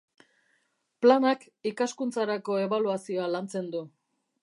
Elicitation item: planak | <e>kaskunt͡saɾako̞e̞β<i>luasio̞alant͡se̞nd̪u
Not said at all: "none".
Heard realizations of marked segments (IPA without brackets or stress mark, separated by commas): i, a